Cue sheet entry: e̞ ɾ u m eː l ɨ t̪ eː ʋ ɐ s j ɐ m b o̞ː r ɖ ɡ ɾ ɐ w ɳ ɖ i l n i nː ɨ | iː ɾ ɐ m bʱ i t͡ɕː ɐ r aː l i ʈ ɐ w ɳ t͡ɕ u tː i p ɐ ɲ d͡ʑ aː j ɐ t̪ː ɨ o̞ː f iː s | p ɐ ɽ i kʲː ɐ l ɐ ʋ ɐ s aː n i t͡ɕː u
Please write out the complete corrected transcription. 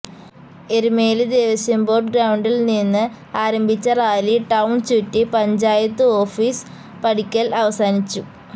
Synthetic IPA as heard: e̞ ɾ u m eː l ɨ d̪ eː ʋ ɐ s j ɐ m b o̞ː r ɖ ɡ ɾ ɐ w ɳ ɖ i l n i nː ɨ | aː ɾ ɐ m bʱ i t͡ɕː ɐ r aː l i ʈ ɐ w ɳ t͡ɕ u tː i p ɐ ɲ d͡ʑ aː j ɐ t̪ː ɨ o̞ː f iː s | p ɐ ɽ i kʲː ɐ l ɐ ʋ ɐ s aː n i t͡ɕː u

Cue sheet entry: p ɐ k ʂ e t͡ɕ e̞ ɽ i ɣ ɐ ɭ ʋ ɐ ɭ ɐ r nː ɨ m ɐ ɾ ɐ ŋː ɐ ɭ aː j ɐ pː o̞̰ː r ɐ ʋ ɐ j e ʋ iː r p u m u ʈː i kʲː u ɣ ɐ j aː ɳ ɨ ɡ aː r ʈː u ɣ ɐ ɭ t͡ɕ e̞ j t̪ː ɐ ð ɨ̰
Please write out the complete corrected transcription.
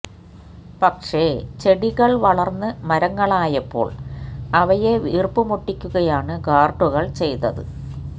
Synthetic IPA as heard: p ɐ k ʂ e t͡ɕ e̞ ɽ i ɣ ɐ ɭ ʋ ɐ ɭ ɐ r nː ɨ m ɐ ɾ ɐ ŋː ɐ ɭ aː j ɐ pː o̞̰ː ɭ ɐ ʋ ɐ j e ʋ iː r p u m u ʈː i kʲː u ɣ ɐ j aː ɳ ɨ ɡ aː r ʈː u ɣ ɐ ɭ t͡ɕ e̞ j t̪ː ɐ ð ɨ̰

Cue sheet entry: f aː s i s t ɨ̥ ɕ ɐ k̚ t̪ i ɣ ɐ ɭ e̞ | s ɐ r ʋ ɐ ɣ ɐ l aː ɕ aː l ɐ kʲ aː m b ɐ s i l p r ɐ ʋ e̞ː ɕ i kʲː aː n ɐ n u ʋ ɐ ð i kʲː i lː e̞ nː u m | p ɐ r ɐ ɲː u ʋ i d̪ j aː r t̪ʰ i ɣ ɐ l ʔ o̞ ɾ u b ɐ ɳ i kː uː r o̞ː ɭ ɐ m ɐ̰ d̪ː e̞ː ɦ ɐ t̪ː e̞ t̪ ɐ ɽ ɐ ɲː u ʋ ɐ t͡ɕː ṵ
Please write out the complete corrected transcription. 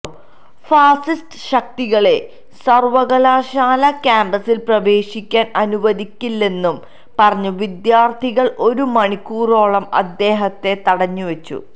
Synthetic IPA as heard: f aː s i s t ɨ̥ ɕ ɐ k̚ t̪ i ɣ ɐ ɭ e̞ | s ɐ r ʋ ɐ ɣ ɐ l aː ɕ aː l ɐ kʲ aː m b ɐ s i l p r ɐ ʋ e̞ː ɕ i kʲː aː n ɐ n u ʋ ɐ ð i kʲː i lː e̞ nː u m | p ɐ r ɐ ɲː u ʋ i d̪ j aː r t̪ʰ i ɣ ɐ ɭ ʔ o̞ ɾ u m ɐ ɳ i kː uː r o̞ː ɭ ɐ m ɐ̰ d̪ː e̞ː ɦ ɐ t̪ː e̞ t̪ ɐ ɽ ɐ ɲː u ʋ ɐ t͡ɕː ṵ

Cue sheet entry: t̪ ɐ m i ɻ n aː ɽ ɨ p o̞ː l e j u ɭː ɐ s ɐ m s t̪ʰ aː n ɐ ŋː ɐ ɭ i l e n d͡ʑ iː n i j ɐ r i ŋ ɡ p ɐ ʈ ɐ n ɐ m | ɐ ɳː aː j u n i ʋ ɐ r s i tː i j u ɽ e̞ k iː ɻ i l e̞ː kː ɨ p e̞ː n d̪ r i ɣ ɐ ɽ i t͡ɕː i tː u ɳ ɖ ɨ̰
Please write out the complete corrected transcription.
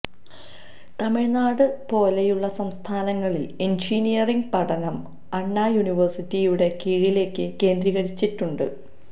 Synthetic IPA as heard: t̪ ɐ m i ɻ n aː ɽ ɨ p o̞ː l e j u ɭː ɐ s ɐ m s t̪ʰ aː n ɐ ŋː ɐ ɭ i l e n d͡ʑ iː n i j ɐ r i ŋ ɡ p ɐ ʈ ɐ n ɐ m | ɐ ɳː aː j u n i ʋ ɐ r s i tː i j u ɽ e̞ k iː ɻ i l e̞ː kː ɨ k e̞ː n d̪ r i ɣ ɐ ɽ i t͡ɕː i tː u ɳ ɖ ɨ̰

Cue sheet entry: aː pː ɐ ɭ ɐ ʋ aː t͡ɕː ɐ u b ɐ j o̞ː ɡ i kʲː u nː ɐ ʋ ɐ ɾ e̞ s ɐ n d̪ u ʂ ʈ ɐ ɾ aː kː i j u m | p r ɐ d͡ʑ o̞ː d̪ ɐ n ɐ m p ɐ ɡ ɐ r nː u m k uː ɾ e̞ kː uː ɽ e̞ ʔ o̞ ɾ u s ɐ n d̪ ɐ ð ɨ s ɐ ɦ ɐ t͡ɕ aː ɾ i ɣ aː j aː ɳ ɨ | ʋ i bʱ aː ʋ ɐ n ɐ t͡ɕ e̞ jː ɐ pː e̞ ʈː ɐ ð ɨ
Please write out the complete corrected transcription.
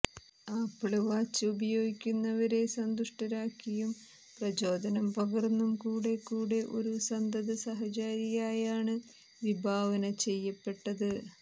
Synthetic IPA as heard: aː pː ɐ ɭ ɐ ʋ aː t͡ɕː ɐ u b ɐ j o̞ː ɡ i kʲː u nː ɐ ʋ ɐ ɾ e̞ s ɐ n d̪ u ʂ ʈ ɐ ɾ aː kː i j u m | p r ɐ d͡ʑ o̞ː d̪ ɐ n ɐ m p ɐ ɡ ɐ r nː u m k uː ɽ e̞ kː uː ɽ e̞ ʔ o̞ ɾ u s ɐ n d̪ ɐ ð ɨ s ɐ ɦ ɐ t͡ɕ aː ɾ i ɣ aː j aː ɳ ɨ | ʋ i bʱ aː ʋ ɐ n ɐ t͡ɕ e̞ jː ɐ pː e̞ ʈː ɐ ð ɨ

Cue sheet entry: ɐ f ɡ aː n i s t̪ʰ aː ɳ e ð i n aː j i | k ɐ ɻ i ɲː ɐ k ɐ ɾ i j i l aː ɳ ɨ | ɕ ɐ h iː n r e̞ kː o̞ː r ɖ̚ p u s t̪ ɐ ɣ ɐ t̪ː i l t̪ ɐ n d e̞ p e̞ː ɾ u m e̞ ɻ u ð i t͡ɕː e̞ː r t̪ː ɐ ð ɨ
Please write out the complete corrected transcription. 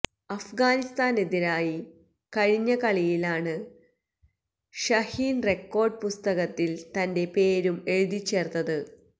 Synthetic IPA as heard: ɐ f ɡ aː n i s t̪ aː n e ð i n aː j i | k ɐ ɻ i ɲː ɐ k ɐ ɭ i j i l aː ɳ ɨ | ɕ ɐ h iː n r e̞ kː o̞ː r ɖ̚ p u s t̪ ɐ ɣ ɐ t̪ː i l t̪ ɐ n d e̞ p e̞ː ɾ u m e̞ ɻ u ð i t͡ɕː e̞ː r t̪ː ɐ ð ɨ

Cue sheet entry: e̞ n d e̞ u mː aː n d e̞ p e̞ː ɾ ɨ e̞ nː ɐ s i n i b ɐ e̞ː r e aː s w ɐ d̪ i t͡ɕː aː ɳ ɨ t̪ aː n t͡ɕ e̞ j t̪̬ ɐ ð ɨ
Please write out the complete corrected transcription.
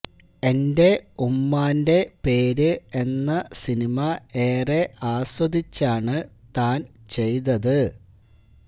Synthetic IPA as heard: e̞ n d e̞ u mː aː n d e̞ p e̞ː ɾ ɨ e̞ nː ɐ s i n i m ɐ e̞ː r e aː s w ɐ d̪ i t͡ɕː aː ɳ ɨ t̪ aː n t͡ɕ e̞ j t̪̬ ɐ ð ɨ

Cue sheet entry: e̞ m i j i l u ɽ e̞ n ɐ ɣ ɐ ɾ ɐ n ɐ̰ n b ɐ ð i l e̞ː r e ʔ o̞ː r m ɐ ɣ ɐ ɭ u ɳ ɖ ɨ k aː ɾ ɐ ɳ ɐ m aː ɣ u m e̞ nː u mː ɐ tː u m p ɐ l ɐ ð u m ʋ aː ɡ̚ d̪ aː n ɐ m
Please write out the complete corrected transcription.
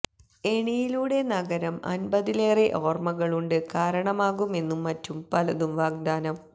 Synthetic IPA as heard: e̞ ɳ i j i l uː ɽ e̞ n ɐ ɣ ɐ ɾ ɐ m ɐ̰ n b ɐ ð i l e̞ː r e ʔ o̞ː r m ɐ ɣ ɐ ɭ u ɳ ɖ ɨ k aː ɾ ɐ ɳ ɐ m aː ɣ u m e̞ nː u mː ɐ tː u m p ɐ l ɐ ð u m ʋ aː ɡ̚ d̪ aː n ɐ m

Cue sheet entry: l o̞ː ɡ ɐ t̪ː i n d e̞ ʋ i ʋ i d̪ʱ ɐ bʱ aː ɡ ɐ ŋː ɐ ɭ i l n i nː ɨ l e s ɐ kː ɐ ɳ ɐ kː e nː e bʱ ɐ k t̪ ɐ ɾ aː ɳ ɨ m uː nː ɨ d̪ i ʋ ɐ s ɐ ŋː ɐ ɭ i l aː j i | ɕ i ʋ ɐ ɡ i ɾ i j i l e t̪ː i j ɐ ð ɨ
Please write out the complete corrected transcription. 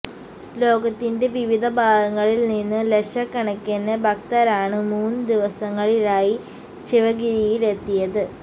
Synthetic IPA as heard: l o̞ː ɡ ɐ t̪ː i n d e̞ ʋ i ʋ i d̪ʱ ɐ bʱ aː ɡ ɐ ŋː ɐ ɭ i l n i nː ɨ l e ʂ ɐ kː ɐ ɳ ɐ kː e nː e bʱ ɐ k t̪ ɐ ɾ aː ɳ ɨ m uː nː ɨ d̪ i ʋ ɐ s ɐ ŋː ɐ ɭ i l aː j i | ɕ i ʋ ɐ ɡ i ɾ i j i l e t̪ː i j ɐ ð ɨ

